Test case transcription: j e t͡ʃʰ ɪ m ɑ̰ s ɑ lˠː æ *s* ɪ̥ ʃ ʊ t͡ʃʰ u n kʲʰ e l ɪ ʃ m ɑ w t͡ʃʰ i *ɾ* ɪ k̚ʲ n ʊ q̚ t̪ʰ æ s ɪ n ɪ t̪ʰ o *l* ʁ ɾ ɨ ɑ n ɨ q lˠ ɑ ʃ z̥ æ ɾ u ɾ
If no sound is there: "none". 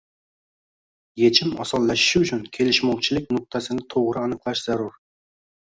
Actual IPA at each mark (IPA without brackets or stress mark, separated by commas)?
ʃ, l, none